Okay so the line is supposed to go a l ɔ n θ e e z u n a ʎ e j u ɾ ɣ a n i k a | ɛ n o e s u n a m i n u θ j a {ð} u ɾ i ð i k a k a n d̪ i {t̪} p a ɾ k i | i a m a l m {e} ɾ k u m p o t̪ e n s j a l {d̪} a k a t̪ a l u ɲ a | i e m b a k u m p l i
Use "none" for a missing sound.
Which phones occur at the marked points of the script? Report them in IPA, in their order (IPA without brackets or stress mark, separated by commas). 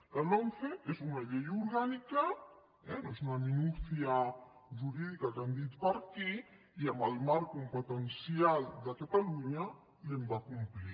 ʒ, t̪, a, d̪